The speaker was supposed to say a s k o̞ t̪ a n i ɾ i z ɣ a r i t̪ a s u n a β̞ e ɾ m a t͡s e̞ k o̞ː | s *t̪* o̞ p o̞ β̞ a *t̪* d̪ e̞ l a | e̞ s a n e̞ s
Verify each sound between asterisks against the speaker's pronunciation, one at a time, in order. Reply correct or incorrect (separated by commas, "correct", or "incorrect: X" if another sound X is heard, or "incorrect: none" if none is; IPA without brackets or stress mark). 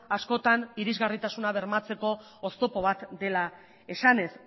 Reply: correct, correct